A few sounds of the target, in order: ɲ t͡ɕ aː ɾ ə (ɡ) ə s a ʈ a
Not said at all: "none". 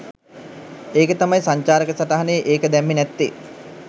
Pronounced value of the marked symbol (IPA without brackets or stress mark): k